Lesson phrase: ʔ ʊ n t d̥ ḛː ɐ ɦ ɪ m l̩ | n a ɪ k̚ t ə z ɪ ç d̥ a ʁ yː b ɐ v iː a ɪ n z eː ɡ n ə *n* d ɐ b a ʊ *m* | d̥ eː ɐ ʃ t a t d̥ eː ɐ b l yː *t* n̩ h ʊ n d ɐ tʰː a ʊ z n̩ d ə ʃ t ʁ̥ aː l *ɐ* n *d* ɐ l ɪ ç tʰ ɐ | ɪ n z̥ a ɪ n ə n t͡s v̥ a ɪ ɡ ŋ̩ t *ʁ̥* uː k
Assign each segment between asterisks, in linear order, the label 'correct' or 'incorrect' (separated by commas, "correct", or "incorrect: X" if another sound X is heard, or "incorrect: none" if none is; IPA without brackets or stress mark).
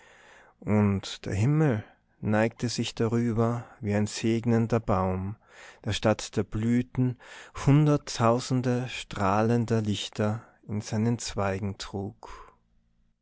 correct, correct, correct, incorrect: ə, correct, correct